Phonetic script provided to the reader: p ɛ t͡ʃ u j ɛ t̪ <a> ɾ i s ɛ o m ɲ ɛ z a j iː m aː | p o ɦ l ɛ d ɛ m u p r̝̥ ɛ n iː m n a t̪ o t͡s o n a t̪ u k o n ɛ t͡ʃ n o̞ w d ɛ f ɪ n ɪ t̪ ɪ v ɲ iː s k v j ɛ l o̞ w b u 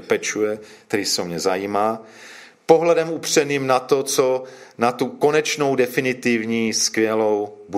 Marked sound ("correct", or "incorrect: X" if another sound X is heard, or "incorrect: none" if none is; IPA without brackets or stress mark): incorrect: ɛ